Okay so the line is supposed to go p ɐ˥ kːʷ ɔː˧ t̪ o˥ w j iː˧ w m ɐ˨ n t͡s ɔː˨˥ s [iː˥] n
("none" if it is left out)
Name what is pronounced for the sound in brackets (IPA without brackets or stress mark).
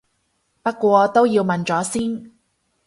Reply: iː˥